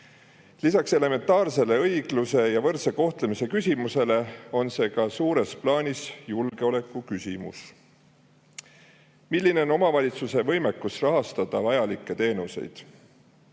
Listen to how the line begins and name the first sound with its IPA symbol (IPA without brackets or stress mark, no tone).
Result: l